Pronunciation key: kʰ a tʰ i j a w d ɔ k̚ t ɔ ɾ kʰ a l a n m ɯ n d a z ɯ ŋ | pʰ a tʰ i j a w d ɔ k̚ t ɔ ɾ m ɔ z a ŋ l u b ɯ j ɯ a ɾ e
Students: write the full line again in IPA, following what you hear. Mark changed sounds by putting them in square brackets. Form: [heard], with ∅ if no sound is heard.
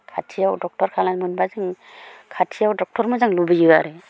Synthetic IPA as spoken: kʰ a tʰ i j a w d ɔ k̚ t ɔ ɾ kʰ a l a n m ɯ n [b] a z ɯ ŋ | [kʰ] a tʰ i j a w d ɔ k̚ t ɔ ɾ m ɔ z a ŋ l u b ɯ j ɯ a ɾ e